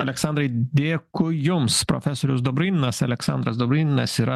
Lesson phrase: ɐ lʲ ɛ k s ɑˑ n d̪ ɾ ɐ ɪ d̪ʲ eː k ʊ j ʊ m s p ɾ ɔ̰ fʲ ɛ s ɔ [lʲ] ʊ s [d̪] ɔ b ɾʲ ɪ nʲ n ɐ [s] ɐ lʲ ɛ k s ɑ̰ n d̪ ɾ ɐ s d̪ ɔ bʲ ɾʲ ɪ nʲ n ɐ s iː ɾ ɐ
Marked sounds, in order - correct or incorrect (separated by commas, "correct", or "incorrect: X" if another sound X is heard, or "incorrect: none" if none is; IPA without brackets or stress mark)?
incorrect: ɾʲ, correct, correct